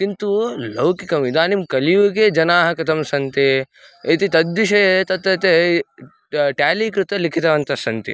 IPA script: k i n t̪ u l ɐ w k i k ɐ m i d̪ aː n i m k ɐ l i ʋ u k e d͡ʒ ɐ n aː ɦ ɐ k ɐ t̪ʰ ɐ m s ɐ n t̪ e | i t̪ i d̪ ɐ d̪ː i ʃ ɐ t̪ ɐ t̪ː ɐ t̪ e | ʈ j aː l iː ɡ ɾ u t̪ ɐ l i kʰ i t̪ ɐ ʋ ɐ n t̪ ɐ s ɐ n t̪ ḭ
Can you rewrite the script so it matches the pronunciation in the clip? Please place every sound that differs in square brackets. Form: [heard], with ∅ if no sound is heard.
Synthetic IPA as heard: k i n t̪ u l ɐ w k i k ɐ m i d̪ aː n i m k ɐ l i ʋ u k e d͡ʒ ɐ n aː ɦ ɐ k ɐ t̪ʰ ɐ m s ɐ n t̪ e | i t̪ i [t̪] ɐ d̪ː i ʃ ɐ t̪ ɐ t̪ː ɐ t̪ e | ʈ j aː l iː [k] ɾ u t̪ ɐ l i kʰ i t̪ ɐ ʋ ɐ n t̪ ɐ s ɐ n t̪ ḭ